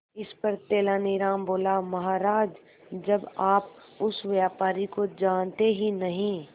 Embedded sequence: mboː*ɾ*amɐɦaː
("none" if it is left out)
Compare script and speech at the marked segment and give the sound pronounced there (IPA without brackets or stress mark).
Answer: l